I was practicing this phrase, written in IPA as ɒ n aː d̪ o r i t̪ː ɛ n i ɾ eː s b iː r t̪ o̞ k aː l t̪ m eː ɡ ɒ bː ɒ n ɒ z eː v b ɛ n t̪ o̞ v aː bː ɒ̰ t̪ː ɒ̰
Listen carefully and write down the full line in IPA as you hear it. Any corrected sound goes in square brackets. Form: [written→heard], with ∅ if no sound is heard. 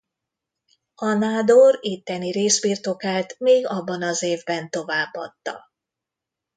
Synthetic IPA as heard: ɒ n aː d̪ o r i t̪ː ɛ n i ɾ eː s b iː r t̪ o̞ k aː l t̪ m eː ɡ ɒ bː ɒ n ɒ z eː v b ɛ n t̪ o̞ v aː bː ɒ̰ t̪ː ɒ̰